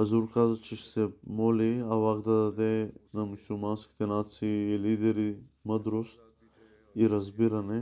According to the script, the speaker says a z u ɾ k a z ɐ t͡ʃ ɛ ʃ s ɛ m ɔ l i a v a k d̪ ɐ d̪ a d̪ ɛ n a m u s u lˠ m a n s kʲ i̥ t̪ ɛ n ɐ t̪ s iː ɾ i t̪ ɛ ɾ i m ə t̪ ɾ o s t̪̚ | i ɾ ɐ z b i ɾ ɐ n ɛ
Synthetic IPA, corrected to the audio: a z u ɾ k a z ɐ t͡ʃ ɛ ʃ s ɛ m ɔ l i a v a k d̪ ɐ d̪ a d̪ ɛ n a m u s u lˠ m a n s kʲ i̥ t̪ ɛ n a t̪ s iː l i d̪ ɛ ɾ i m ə d̪ ɾ o s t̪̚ | i ɾ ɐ z b i ɾ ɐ n ɛ